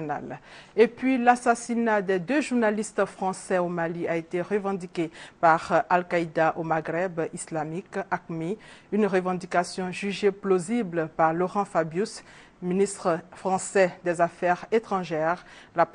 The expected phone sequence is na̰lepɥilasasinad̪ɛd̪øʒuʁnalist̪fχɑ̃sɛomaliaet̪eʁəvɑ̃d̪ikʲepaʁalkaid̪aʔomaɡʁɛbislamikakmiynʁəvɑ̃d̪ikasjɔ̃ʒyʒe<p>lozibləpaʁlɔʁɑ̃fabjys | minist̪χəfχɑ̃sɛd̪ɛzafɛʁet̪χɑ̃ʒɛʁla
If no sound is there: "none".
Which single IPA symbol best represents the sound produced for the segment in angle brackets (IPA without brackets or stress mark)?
p